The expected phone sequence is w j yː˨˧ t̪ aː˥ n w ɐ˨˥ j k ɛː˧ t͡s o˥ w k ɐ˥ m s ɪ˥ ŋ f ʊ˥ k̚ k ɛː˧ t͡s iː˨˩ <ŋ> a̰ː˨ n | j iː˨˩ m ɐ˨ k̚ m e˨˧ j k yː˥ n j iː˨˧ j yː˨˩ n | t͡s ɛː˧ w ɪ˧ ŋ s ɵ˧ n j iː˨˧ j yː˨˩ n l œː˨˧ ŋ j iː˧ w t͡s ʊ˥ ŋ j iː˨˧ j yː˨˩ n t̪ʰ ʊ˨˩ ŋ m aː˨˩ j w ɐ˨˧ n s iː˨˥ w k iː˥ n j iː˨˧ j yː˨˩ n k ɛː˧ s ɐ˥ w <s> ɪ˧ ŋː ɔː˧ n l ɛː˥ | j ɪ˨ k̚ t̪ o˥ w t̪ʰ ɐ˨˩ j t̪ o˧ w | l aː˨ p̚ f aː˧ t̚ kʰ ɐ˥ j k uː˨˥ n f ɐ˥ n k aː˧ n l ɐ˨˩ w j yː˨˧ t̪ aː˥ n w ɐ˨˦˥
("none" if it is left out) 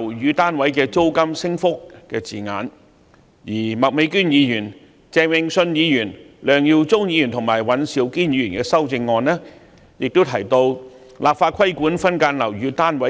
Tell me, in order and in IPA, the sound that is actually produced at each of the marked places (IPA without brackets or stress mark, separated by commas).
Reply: ŋ, t͡s